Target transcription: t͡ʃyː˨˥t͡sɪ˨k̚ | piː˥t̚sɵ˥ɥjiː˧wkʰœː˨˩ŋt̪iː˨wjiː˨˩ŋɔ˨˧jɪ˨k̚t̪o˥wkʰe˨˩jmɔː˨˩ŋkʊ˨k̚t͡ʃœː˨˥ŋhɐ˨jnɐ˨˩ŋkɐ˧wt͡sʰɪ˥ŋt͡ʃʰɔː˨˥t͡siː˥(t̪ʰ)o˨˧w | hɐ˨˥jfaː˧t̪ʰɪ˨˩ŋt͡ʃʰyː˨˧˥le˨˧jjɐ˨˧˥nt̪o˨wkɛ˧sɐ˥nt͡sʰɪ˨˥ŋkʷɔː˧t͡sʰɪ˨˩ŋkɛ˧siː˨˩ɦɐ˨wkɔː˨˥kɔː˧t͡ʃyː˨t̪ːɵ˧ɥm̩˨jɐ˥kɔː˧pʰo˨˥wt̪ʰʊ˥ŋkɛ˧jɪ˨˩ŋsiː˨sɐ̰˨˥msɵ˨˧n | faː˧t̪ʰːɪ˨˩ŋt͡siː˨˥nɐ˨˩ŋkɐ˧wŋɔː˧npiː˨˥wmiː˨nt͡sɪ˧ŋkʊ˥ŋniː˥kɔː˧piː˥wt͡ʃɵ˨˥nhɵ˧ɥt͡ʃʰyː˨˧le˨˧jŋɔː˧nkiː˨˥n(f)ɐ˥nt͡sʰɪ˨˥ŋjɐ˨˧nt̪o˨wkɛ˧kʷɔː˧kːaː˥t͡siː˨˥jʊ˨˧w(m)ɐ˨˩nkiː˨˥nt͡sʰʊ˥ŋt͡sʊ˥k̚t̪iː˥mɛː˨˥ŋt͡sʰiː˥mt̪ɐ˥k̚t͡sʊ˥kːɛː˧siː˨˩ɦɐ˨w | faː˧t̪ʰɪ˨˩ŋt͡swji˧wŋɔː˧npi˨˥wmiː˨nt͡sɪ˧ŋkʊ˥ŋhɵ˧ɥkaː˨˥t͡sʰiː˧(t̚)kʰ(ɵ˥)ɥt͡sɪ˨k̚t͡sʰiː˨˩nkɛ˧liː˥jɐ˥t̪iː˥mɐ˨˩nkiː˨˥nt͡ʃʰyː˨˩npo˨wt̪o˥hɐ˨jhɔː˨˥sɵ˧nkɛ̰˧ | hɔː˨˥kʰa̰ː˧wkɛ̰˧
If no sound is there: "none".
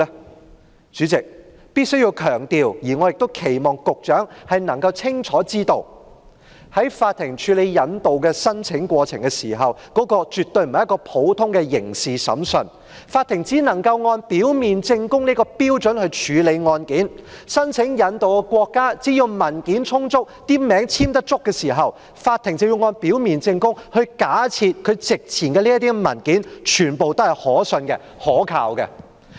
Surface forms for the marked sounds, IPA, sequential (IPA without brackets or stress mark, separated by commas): t̪, s, m, t̚, ɵ˨˧